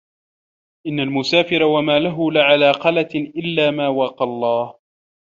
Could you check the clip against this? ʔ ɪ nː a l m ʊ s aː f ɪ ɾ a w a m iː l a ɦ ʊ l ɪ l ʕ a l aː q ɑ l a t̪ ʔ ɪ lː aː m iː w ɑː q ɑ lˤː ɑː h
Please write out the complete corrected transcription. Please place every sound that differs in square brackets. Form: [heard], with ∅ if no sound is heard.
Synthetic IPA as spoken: ʔ ɪ nː a l m ʊ s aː f ɪ ɾ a w a m [aː] l a ɦ ʊ l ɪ [∅] ʕ a l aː q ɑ l a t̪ ʔ ɪ lː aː m [aː] w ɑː q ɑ lˤː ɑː h